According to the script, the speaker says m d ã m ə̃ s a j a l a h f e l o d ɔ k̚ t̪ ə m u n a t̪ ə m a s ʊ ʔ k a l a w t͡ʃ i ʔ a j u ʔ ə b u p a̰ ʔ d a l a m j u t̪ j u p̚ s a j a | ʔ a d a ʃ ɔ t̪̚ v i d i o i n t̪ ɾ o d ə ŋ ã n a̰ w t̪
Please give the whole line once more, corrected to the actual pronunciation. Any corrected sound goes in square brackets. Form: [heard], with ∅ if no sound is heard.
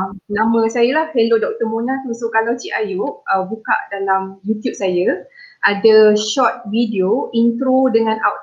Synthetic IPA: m [n] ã m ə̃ s a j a l a h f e l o d ɔ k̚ t̪ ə m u n a t̪ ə m a s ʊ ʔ k a l a w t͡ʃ i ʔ a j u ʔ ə b u [k] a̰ ʔ d a l a m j u t̪ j u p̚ s a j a | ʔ a d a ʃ ɔ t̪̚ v i d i o i n t̪ ɾ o d ə ŋ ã n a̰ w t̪